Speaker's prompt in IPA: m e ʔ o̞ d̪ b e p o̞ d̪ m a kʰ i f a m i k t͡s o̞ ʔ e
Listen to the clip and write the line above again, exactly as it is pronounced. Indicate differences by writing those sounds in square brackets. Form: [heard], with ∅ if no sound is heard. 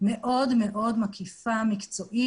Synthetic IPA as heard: m e ʔ o̞ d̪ [m] e [ʔ] o̞ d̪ m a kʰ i f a m i k t͡s o̞ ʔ [i]